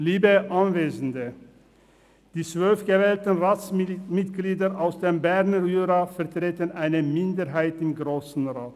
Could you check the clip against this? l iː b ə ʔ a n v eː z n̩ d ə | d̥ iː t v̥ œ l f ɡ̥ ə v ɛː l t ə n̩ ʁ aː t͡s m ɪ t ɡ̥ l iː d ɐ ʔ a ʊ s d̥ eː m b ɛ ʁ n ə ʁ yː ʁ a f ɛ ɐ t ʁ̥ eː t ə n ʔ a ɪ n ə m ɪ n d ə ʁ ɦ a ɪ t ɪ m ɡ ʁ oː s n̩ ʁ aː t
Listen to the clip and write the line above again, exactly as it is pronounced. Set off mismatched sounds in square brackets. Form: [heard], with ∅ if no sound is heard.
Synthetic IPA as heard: l iː b ə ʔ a n v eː z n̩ d ə | d̥ iː [t͡s] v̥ œ l f ɡ̥ ə v ɛː l t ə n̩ ʁ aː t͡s m ɪ t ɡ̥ l iː d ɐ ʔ a ʊ s d̥ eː m b ɛ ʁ n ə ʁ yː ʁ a f ɛ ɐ t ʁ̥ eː t ə n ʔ a ɪ n ə m ɪ n d ə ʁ ɦ a ɪ t ɪ m ɡ ʁ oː s n̩ ʁ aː t